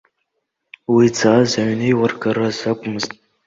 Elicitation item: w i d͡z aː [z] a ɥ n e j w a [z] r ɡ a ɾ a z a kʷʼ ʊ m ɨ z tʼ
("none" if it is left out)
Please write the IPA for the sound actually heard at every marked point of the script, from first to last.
z, none

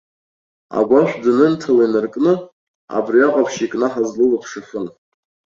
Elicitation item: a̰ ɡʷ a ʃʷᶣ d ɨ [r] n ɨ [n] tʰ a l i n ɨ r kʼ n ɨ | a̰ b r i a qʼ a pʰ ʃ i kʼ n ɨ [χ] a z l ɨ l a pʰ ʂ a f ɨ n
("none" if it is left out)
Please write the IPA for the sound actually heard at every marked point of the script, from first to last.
none, n, ħ

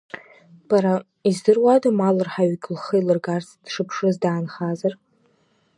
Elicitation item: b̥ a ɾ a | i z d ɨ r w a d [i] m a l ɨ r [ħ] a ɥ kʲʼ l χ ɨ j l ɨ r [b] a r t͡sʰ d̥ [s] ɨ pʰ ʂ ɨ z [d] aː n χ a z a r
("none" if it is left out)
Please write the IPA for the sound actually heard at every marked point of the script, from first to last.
a, ħ, ɡ, ʂ, d

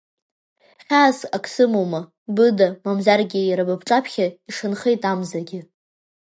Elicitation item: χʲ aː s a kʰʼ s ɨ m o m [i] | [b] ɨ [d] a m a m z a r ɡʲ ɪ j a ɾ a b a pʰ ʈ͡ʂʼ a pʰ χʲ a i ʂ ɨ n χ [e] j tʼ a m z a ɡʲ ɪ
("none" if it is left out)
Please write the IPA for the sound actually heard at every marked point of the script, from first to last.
a, b, d, e

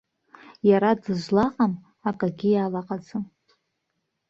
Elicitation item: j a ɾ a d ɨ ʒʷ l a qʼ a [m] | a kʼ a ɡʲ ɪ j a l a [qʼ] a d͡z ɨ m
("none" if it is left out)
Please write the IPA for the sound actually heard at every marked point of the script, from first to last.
m, qʼ

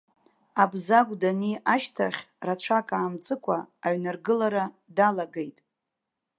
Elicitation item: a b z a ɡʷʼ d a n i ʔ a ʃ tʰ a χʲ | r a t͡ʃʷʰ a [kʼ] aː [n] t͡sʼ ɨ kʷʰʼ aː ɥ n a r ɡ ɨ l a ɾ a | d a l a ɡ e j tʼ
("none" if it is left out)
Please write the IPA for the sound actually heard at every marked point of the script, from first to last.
kʼ, m

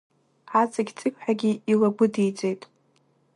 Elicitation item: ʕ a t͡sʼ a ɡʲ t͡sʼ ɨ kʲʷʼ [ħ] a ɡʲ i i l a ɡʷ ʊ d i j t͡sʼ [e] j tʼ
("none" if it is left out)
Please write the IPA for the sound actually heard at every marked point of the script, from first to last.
ħ, e

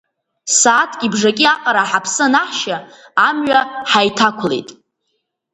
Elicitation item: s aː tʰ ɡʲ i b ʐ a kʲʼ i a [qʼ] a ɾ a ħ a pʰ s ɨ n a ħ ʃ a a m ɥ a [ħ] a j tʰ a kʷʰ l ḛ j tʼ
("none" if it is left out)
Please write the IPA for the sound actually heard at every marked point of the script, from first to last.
qʼ, ħ

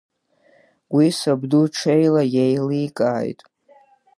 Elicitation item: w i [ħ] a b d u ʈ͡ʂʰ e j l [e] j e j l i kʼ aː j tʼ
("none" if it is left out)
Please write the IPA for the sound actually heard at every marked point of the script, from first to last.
s, a

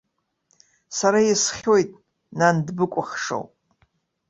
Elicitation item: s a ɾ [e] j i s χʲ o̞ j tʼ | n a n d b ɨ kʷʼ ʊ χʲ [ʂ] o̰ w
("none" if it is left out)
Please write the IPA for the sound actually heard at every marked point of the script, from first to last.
a, ʂ

